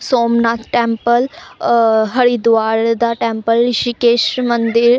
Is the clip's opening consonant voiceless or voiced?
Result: voiceless